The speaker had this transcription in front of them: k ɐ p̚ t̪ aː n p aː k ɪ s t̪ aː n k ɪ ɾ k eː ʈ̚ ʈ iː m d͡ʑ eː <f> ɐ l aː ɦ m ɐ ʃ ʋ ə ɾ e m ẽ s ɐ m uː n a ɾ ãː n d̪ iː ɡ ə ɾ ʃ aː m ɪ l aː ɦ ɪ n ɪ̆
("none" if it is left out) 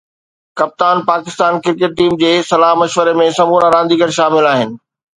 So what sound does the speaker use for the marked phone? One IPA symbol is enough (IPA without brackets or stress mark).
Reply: s